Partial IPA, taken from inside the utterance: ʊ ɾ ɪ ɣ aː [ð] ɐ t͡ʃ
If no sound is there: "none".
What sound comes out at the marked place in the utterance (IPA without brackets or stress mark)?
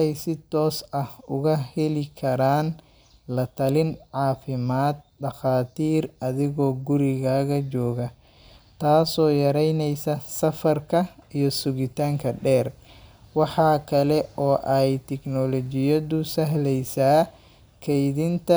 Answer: ɣ